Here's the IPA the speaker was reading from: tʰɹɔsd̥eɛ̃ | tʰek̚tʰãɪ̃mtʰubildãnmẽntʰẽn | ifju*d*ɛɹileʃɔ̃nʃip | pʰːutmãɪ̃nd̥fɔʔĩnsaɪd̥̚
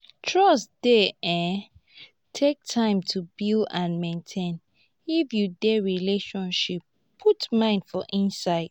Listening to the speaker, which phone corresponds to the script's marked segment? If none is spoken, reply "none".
d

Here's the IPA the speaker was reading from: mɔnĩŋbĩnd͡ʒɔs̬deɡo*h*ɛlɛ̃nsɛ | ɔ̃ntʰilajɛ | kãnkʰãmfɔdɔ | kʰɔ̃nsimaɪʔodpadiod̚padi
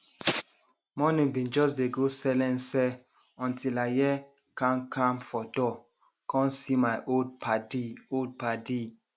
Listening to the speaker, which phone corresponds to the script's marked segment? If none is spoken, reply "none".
s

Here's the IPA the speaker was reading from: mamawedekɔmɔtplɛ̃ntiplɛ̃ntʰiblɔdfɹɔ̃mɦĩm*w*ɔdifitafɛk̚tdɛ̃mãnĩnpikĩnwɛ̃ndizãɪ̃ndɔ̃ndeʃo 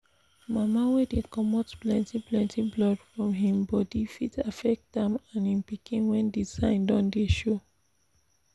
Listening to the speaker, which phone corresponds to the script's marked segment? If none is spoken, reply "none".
b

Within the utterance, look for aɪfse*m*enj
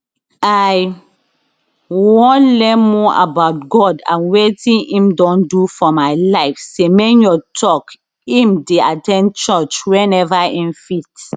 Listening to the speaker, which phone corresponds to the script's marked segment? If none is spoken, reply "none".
m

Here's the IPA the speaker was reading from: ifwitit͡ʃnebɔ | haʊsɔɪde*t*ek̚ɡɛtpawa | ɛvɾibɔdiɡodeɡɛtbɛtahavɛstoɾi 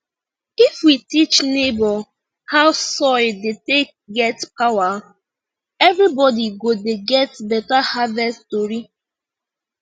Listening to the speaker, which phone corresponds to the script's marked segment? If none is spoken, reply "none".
t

